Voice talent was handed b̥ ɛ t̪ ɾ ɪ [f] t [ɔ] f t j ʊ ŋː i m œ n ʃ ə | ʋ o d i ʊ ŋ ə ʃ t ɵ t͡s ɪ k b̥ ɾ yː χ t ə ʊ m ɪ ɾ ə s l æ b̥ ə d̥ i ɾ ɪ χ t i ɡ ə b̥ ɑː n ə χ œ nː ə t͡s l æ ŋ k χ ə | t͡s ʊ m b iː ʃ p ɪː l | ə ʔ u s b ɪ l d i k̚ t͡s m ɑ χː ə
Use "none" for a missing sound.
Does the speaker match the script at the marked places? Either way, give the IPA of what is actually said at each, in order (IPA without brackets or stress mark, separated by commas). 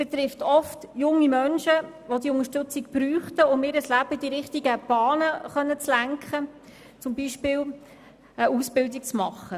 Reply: f, ɔ